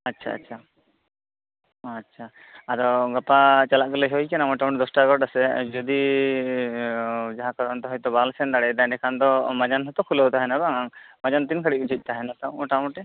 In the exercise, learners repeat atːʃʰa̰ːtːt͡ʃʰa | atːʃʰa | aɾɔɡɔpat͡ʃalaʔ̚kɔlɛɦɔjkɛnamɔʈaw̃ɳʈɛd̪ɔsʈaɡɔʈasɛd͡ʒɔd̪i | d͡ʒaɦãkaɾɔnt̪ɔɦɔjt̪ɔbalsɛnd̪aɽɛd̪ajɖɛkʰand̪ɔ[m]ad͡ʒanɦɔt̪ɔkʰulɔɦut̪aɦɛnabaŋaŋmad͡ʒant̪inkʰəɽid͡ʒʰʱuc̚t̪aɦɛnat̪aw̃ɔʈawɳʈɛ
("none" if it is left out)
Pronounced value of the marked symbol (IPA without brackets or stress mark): m